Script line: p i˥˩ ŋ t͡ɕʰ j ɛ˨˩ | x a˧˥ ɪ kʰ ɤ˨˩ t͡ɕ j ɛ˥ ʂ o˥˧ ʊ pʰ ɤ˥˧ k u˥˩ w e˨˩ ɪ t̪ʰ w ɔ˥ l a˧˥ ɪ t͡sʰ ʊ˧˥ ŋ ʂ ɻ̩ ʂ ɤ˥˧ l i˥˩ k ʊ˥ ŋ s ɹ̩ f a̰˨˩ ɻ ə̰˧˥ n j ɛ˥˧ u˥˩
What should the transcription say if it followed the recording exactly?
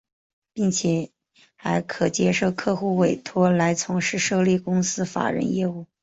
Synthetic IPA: p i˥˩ ŋ t͡ɕʰ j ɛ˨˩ | x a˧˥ ɪ kʰ ɤ˨˩ t͡ɕ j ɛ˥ ʂ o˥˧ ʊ kʰ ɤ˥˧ x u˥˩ w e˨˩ ɪ t̪ʰ w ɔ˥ l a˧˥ ɪ t͡sʰ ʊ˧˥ ŋ ʂ ɻ̩ ʂ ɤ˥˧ l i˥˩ k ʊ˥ ŋ s ɹ̩ f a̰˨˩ ɻ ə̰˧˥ n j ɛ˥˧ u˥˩